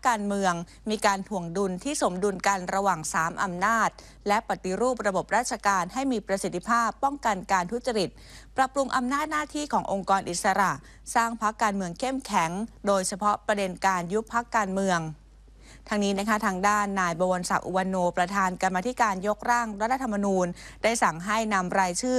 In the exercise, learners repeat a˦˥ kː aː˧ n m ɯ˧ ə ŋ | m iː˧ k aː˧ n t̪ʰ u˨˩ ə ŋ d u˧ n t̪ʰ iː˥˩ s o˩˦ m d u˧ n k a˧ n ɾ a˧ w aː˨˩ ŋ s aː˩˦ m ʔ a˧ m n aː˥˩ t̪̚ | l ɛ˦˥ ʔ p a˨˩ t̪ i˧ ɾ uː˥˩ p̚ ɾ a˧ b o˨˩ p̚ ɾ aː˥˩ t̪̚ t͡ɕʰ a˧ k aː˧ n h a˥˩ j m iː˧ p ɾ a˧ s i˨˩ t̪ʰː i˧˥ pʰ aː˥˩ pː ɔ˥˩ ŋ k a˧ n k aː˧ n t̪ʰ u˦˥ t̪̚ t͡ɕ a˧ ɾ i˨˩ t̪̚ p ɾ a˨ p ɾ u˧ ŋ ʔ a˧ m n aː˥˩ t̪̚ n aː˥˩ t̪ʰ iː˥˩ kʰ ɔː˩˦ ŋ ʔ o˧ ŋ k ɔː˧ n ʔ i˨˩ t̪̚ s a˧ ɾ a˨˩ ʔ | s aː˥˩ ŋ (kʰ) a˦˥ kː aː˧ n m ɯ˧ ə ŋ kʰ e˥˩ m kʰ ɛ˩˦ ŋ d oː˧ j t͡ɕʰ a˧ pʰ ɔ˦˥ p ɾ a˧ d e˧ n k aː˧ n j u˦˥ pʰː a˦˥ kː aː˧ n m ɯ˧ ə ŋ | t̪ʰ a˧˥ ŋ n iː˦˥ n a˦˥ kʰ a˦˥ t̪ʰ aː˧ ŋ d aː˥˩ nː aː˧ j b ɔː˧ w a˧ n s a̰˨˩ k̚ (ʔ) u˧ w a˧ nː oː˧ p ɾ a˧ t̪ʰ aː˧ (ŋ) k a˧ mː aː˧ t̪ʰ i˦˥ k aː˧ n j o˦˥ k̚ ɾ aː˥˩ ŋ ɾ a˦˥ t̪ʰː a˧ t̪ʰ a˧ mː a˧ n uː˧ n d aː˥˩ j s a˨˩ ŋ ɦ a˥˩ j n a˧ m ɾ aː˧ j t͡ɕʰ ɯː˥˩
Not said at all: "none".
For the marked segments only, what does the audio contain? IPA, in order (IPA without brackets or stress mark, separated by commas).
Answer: pʰ, ʔ, n